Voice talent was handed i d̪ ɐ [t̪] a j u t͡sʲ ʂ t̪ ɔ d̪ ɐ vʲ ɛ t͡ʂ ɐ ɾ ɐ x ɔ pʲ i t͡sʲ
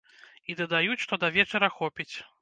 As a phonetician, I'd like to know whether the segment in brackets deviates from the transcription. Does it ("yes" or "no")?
yes